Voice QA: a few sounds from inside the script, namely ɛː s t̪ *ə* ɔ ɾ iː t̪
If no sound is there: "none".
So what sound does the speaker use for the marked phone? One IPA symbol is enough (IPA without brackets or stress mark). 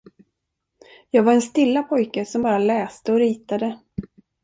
ə